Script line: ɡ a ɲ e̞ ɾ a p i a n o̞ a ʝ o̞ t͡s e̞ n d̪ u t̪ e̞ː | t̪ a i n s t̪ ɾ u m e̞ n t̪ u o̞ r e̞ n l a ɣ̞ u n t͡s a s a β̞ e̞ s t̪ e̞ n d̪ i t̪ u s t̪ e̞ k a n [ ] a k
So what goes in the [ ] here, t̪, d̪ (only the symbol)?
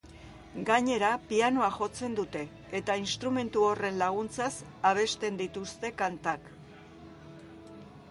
t̪